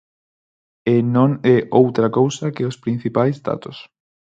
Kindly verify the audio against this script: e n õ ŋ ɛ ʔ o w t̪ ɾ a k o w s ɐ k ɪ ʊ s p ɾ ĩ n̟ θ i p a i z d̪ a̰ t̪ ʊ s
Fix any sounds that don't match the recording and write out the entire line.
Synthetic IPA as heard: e n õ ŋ ɛ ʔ o w t̪ ɾ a k o w s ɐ k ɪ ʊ s p ɾ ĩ n̟ θ i p a j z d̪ a̰ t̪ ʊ s